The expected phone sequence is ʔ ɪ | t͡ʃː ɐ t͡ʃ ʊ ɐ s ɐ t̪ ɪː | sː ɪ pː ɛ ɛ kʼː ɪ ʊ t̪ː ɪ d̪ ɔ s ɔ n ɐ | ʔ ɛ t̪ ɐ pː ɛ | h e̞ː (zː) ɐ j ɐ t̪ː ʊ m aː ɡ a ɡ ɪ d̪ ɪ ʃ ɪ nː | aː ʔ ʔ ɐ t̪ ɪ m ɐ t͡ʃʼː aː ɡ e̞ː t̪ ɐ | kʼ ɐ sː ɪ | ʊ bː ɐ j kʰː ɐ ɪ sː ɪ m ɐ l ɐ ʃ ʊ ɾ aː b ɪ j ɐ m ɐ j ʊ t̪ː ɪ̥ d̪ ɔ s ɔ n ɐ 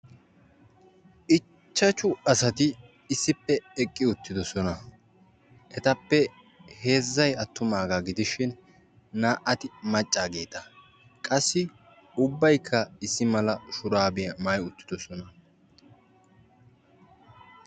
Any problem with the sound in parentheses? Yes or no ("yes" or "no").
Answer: no